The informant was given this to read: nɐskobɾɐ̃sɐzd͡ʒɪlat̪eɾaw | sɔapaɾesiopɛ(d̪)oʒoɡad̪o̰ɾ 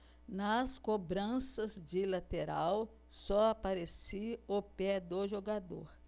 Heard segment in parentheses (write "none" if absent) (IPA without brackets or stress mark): d̪